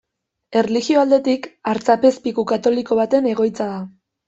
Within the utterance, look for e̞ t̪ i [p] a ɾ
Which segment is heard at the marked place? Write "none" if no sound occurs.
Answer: k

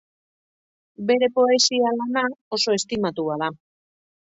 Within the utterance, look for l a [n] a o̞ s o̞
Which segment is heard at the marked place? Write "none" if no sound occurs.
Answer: n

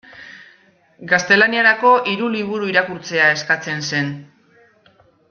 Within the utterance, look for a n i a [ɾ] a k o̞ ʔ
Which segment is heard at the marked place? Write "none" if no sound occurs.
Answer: ɾ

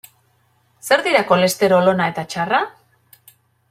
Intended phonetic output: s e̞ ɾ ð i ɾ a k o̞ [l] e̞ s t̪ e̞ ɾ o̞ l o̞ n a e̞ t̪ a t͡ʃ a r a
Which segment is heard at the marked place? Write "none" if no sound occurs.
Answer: l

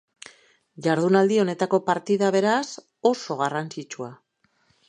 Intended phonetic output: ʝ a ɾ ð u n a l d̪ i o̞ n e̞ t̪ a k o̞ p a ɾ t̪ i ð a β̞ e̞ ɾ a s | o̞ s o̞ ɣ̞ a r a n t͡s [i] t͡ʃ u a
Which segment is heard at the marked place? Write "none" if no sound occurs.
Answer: i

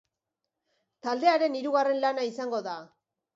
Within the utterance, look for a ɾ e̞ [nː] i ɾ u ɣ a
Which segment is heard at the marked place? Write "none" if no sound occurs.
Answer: n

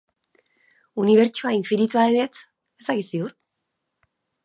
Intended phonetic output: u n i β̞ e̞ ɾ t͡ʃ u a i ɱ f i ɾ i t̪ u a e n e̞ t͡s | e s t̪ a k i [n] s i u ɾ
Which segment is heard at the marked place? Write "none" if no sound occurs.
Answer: none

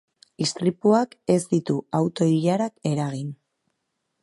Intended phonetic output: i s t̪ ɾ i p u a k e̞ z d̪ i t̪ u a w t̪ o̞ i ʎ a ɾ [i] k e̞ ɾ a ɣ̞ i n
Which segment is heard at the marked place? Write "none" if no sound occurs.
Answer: a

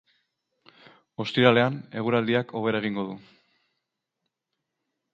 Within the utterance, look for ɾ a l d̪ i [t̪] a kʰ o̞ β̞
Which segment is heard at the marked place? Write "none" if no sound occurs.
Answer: none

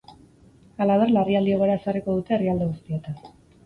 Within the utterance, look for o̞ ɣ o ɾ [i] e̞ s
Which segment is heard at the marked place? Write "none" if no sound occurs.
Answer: a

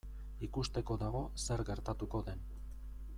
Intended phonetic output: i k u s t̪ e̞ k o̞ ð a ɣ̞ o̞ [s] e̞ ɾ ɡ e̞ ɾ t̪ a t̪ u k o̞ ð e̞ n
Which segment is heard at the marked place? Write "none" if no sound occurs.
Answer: s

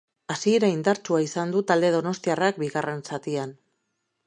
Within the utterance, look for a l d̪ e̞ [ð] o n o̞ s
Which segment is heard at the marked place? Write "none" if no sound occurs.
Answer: ð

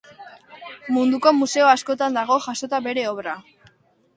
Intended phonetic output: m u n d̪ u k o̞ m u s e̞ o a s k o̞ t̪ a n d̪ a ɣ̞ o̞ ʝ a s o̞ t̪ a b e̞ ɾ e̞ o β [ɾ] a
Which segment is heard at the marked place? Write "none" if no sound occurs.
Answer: ɾ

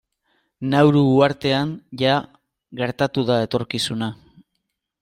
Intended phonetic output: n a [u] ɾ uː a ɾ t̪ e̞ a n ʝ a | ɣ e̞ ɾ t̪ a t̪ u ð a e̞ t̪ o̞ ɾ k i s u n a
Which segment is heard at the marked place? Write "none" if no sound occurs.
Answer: w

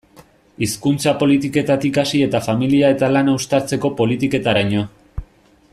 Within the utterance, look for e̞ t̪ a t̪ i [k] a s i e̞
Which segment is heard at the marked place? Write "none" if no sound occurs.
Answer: k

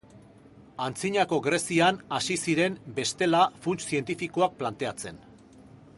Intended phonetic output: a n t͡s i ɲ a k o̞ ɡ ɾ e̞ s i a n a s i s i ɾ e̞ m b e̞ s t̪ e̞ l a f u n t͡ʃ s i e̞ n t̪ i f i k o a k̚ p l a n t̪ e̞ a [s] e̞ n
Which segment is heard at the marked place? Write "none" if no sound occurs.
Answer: t͡s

